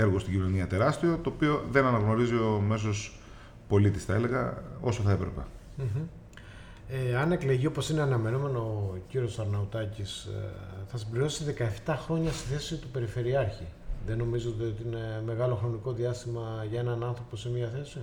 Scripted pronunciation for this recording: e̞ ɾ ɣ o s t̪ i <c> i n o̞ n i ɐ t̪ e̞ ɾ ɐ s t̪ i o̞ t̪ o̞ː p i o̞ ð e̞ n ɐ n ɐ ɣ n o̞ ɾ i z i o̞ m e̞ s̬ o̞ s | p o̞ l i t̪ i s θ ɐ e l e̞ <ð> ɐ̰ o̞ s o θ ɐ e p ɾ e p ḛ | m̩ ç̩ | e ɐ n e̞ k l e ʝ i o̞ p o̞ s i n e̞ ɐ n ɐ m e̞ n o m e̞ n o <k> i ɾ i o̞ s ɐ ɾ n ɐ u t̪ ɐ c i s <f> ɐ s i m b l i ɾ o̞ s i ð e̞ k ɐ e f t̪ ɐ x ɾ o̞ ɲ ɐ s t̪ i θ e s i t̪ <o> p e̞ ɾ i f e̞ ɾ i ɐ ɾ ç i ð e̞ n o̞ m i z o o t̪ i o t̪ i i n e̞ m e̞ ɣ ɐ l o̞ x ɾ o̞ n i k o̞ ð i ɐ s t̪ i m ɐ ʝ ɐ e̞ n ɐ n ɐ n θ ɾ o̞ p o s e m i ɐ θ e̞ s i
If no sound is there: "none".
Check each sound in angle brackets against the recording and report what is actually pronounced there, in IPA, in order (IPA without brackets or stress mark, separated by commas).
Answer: ɟ, ɣ, c, θ, u